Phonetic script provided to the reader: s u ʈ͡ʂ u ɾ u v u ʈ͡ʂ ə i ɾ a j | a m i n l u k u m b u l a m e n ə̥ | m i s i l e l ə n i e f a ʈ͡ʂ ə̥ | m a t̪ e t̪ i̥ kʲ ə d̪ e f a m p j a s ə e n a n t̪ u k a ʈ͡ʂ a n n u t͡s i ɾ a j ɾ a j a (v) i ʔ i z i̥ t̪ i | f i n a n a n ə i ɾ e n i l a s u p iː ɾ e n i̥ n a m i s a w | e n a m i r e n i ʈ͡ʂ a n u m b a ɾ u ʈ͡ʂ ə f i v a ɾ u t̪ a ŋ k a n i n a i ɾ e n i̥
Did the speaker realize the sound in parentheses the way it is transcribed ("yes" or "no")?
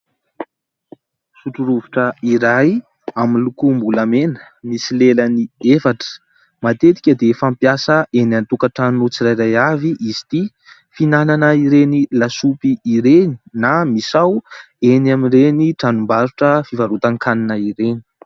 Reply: yes